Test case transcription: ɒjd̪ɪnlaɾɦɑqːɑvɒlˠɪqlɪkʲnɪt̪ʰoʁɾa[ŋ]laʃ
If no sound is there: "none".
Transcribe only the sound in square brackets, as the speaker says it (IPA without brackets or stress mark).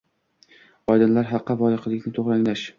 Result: ŋ